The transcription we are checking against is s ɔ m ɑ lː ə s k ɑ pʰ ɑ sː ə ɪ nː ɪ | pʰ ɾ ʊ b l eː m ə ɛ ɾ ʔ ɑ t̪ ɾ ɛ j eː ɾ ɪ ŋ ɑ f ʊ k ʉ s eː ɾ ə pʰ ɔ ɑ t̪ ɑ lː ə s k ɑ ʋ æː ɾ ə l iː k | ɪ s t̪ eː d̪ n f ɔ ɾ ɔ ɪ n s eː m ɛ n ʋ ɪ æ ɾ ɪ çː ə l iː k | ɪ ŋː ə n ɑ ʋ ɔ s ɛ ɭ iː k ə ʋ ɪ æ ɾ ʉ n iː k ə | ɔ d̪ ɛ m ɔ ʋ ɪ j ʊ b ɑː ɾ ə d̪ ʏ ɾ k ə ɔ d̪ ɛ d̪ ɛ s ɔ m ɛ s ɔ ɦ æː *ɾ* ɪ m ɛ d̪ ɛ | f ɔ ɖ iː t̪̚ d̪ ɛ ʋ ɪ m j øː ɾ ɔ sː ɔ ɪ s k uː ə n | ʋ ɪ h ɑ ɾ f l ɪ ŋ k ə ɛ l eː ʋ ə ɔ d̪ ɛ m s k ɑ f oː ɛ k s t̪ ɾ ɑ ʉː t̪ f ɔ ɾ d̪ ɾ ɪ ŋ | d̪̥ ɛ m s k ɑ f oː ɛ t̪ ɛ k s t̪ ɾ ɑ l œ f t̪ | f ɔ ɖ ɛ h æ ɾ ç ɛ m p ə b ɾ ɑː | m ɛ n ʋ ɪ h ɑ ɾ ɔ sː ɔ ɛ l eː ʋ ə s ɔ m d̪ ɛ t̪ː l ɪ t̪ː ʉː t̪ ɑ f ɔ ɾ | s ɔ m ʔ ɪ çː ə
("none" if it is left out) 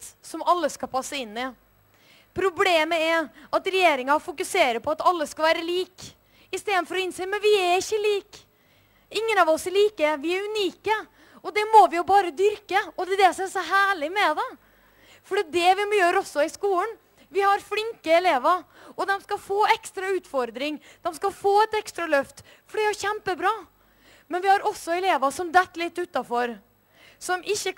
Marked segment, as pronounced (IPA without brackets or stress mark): ɭ